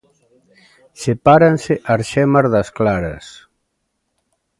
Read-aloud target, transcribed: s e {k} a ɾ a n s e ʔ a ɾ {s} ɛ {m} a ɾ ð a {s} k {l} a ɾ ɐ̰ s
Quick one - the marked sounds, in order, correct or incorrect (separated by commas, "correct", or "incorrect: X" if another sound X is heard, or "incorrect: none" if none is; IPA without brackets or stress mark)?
incorrect: p, incorrect: ʃ, correct, correct, correct